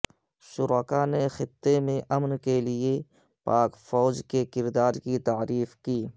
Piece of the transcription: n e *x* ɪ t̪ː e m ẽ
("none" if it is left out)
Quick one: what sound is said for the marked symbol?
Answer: x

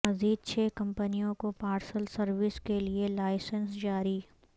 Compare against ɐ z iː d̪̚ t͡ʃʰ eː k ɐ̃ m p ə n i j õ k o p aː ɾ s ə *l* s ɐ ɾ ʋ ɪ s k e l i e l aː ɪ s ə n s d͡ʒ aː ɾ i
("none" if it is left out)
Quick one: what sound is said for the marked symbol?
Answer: l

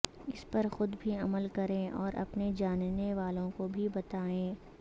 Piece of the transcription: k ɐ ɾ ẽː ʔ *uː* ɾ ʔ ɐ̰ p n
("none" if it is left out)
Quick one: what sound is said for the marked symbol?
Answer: ɔː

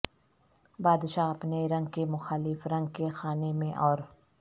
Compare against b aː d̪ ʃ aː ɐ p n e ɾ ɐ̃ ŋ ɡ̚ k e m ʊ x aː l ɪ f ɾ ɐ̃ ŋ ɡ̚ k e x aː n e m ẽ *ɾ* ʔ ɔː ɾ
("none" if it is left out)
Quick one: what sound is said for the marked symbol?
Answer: none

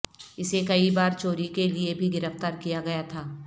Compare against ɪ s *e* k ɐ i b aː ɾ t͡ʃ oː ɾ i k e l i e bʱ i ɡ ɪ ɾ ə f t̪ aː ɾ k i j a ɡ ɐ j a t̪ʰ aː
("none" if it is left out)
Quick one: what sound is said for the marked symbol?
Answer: e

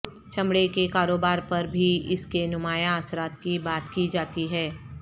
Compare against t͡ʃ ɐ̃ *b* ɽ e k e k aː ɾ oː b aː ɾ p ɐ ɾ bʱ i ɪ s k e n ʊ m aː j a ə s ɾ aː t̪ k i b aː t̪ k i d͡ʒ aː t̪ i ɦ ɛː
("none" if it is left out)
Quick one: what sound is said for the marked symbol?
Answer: m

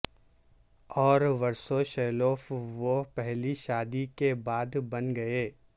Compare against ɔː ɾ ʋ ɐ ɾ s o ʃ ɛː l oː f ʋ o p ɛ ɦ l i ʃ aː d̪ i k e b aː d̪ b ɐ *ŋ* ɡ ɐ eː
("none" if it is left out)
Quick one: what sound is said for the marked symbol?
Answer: n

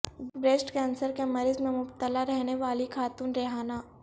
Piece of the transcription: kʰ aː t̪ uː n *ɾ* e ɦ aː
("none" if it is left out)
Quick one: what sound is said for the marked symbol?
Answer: ɾ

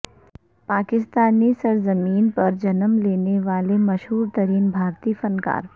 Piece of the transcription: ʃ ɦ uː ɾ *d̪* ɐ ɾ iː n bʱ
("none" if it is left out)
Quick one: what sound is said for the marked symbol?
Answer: t̪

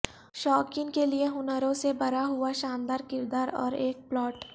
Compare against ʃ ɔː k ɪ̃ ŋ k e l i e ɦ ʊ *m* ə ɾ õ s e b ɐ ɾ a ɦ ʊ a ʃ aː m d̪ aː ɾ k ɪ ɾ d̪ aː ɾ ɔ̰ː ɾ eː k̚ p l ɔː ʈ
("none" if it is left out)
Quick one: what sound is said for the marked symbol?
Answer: n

